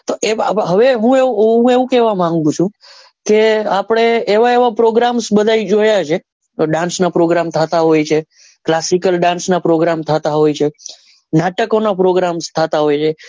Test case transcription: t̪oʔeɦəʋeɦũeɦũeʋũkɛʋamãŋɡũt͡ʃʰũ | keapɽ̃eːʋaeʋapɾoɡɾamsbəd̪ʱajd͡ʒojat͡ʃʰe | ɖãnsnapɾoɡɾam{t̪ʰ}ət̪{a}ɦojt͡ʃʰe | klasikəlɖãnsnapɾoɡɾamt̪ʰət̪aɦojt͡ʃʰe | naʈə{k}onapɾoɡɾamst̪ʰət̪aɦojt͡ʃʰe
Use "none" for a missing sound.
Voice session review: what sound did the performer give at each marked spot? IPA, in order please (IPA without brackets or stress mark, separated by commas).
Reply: t̪ʰ, a, k